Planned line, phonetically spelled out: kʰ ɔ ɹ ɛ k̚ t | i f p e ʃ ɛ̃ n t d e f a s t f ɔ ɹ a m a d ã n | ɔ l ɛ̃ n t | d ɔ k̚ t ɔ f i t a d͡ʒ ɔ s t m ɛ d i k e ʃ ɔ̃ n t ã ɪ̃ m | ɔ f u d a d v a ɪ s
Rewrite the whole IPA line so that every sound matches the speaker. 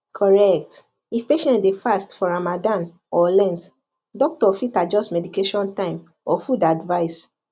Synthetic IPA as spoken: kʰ ɔ ɹ ɛ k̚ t | i f p e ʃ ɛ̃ n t d e f a s t f ɔ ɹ a m a d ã n | ɔ l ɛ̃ n t | d ɔ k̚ t ɔ f i t a d͡ʒ ɔ s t m ɛ d i k e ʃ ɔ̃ n t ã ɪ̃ m | ɔ f u d a d v a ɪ s